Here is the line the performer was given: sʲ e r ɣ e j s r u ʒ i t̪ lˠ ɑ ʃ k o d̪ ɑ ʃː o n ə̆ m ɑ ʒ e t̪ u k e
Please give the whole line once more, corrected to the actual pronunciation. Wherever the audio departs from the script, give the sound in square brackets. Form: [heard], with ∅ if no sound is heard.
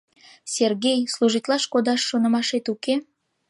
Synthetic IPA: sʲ e r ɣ e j s [l] u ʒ i t̪ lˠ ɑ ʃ k o d̪ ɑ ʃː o n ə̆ m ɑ [ʃ] e t̪ u k e